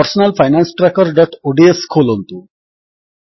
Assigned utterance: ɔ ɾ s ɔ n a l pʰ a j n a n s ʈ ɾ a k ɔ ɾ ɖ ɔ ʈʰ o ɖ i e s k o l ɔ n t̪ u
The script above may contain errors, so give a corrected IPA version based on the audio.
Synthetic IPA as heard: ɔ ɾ s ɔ n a l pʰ a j n a n s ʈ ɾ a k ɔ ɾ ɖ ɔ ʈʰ o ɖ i e s kʰ o l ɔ n t̪ u